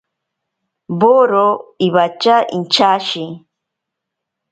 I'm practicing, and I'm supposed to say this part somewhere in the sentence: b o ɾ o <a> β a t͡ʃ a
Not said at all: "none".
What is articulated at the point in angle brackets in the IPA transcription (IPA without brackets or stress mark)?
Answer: i